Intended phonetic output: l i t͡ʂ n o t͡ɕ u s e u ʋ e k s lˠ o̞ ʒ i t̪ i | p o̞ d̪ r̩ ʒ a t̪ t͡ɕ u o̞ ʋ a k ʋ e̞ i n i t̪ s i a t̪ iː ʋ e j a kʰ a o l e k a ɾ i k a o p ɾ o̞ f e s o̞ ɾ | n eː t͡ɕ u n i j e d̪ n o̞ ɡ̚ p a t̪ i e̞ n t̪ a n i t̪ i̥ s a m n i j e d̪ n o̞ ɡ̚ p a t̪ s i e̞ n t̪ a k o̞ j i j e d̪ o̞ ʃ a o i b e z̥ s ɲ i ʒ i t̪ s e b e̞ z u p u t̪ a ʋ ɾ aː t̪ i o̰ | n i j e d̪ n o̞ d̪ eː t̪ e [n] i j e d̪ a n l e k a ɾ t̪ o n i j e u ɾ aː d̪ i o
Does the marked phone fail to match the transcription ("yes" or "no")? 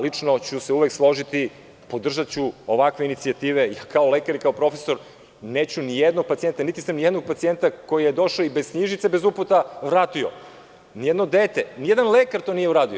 no